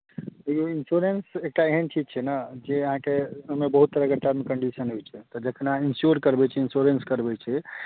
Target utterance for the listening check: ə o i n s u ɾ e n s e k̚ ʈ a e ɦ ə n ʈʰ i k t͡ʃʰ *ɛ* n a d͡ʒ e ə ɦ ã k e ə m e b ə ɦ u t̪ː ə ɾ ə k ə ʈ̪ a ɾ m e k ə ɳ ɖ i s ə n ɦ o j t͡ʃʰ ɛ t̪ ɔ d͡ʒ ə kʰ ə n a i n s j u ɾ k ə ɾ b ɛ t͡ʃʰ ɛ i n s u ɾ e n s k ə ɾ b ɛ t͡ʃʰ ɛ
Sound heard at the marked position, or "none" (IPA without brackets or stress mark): ɛ